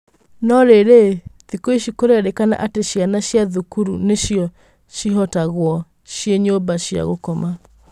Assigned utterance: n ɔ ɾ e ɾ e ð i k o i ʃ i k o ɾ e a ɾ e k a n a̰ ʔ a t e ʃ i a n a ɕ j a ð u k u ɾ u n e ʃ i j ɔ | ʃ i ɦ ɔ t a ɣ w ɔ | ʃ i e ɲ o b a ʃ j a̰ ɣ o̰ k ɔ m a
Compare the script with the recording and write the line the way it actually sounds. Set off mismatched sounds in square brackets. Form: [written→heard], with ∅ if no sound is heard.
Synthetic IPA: n ɔ ɾ e ɾ e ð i k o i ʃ i k o ɾ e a ɾ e k a n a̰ ʔ a t e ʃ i a n a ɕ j a ð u k u ɾ u n e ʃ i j ɔ | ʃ i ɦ ɔ t a ɣ w ɔ | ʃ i e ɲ o b a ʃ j a̰ ɣ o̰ k ɔ m a